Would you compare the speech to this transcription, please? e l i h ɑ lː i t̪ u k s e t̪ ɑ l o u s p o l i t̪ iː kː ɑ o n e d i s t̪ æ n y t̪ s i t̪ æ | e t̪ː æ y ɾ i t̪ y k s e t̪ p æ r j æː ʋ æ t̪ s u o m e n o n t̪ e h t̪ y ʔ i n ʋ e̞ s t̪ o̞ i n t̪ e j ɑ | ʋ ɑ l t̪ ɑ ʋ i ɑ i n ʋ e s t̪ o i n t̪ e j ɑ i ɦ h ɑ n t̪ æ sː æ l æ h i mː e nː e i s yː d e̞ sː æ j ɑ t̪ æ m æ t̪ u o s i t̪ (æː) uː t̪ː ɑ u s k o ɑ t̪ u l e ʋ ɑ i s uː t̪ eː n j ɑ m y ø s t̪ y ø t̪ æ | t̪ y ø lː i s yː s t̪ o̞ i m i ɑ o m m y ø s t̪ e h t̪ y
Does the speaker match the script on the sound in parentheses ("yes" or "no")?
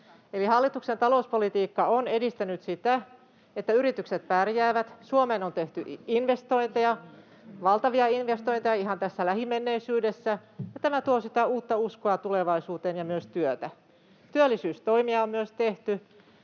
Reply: no